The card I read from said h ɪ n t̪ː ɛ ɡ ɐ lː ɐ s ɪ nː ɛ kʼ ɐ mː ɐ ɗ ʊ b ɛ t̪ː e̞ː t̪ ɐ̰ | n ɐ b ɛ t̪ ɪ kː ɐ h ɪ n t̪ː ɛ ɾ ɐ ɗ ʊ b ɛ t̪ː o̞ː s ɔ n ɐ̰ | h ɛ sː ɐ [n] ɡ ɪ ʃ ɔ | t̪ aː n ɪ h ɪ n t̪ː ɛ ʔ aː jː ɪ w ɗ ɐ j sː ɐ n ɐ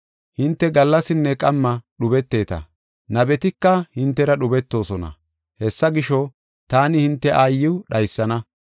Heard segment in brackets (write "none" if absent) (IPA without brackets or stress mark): none